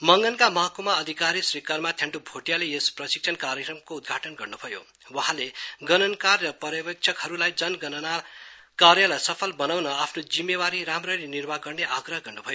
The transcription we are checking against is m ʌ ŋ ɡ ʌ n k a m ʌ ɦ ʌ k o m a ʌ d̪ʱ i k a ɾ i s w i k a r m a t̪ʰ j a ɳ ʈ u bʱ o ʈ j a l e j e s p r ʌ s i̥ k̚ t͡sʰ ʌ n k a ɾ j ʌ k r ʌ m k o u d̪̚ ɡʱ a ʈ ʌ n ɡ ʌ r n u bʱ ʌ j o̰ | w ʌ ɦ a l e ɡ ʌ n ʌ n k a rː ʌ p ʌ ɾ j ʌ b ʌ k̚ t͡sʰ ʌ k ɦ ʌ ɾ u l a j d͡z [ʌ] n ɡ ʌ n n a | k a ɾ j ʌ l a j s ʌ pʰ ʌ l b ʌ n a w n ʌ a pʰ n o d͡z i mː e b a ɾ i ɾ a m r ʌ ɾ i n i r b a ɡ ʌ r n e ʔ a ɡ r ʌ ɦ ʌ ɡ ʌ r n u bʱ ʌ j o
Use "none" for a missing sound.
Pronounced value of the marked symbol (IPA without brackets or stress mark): ʌ